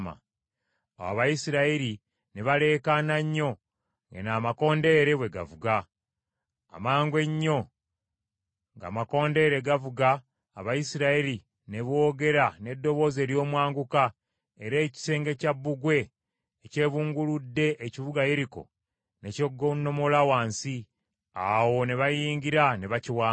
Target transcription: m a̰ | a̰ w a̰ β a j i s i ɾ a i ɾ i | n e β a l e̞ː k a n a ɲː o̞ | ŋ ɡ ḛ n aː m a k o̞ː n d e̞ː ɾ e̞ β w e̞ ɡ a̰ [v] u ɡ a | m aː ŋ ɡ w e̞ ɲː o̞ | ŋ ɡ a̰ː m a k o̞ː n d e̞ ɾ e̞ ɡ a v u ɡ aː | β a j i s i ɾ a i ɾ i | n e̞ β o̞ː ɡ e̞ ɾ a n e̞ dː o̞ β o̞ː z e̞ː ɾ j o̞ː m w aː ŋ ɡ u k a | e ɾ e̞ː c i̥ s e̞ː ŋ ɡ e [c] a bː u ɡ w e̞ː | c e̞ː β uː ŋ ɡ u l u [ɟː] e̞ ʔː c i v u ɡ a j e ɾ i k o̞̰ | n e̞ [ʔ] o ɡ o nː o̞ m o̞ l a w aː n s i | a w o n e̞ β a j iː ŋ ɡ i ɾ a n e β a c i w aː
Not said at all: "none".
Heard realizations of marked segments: v, c, dː, c

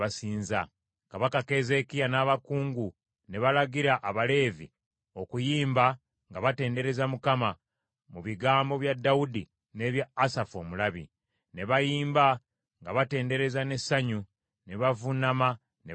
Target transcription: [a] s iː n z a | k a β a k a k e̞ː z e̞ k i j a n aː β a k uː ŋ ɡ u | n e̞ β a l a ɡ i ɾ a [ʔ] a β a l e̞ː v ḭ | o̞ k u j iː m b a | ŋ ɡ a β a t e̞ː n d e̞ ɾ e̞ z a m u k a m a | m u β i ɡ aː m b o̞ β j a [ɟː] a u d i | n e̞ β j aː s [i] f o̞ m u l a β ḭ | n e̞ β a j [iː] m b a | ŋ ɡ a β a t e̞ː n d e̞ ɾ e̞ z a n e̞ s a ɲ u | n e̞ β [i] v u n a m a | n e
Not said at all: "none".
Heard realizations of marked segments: a, ʔ, dː, a, iː, a

